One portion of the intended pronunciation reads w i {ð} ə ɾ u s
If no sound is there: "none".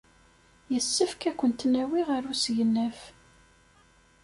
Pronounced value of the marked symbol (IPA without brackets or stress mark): ʁ